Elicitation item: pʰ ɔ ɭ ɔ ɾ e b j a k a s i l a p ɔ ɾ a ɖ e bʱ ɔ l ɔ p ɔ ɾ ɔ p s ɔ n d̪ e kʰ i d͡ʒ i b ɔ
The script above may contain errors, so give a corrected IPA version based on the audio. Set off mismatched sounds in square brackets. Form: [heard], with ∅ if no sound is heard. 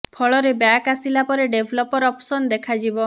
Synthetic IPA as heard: pʰ ɔ ɭ ɔ ɾ e b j a k a s i l a p ɔ ɾ [e] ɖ e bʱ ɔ l ɔ p ɔ ɾ ɔ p s ɔ n d̪ e kʰ [a] d͡ʒ i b ɔ